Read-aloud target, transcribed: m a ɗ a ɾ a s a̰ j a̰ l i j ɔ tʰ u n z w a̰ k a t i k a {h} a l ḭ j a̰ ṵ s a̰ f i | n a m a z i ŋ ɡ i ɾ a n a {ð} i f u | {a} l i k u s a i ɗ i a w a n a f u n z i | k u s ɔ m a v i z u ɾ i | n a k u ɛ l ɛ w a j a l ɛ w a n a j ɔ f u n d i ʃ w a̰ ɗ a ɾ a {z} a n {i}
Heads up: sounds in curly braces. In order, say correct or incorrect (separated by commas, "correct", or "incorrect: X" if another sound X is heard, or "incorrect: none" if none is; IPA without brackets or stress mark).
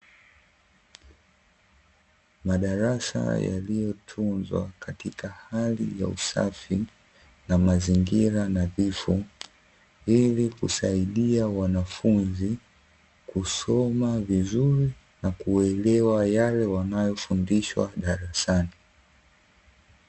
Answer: correct, incorrect: v, incorrect: i, incorrect: s, correct